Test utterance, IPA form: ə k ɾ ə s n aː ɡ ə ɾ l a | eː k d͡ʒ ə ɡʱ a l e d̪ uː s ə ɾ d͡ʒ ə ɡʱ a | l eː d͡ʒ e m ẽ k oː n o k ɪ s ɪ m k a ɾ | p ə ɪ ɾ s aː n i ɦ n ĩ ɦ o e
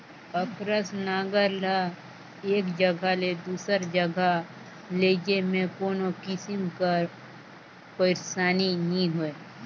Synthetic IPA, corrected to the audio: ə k ɾ ə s n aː ɡ ə ɾ l a | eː k d͡ʒ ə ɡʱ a l e d̪ uː s ə ɾ d͡ʒ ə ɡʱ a | l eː d͡ʒ e m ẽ k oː n o k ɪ s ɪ m k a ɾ | p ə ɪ ɾ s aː n i n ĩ ɦ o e